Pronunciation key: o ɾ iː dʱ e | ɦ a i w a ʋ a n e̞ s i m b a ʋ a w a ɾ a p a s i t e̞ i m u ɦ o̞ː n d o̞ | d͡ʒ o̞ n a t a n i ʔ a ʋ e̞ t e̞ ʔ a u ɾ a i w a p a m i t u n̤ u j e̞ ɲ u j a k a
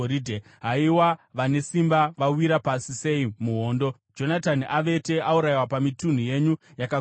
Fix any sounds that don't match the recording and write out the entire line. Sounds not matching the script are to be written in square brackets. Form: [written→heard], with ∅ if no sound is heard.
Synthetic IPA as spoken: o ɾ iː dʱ e | ɦ a i w a ʋ a n e̞ s i m b a ʋ a w [a→i] ɾ a p a s i [t→s] e̞ i m u ɦ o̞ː n d o̞ | d͡ʒ o̞ n a t a n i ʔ a ʋ e̞ t e̞ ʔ a u ɾ a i w a p a m i t u n̤ u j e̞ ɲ u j a k a